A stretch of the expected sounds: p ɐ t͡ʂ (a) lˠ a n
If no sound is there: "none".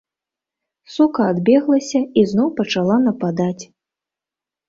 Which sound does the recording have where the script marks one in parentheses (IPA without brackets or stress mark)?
a